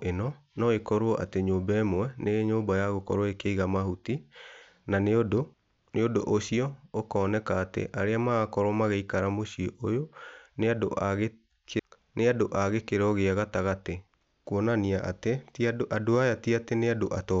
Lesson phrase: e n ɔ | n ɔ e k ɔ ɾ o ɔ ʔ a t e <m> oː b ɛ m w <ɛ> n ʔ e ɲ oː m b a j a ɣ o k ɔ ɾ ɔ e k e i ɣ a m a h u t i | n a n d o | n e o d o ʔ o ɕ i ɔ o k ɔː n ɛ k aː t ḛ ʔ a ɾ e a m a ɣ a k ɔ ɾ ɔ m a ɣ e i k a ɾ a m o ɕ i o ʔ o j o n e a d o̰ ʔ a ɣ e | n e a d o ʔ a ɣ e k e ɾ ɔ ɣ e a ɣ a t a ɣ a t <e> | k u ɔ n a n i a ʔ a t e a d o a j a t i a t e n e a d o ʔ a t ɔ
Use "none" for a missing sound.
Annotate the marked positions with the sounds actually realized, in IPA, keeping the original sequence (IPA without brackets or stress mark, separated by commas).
ɲ, ɛ, e